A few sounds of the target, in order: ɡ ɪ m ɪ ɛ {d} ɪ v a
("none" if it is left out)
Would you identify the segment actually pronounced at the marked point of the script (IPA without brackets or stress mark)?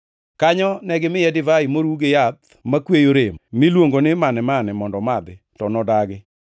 d